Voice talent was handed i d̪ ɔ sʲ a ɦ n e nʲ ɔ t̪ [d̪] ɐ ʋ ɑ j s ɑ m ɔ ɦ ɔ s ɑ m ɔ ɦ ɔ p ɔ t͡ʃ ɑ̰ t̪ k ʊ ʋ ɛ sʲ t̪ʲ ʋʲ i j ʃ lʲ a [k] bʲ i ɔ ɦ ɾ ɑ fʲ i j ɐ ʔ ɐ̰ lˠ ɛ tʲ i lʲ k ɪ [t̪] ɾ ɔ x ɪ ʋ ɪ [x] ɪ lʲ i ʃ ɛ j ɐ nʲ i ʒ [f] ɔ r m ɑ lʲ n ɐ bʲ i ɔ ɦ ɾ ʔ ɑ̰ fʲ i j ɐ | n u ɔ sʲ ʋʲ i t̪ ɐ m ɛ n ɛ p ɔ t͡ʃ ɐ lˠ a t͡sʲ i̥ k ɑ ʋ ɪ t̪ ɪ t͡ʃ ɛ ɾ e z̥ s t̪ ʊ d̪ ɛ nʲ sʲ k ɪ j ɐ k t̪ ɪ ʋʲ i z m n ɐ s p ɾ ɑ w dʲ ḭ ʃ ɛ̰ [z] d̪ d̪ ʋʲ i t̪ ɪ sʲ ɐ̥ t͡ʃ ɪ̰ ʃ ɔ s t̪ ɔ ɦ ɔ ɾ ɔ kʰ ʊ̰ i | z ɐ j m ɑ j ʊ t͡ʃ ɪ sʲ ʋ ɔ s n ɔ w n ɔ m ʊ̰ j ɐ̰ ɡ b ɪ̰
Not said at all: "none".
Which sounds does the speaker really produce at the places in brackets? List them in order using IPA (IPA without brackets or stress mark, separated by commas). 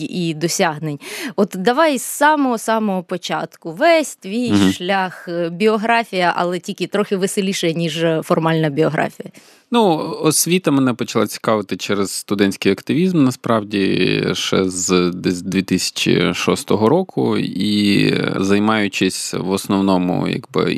d̪, x, t̪, s, f, z